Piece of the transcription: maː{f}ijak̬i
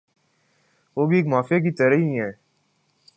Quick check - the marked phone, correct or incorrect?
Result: correct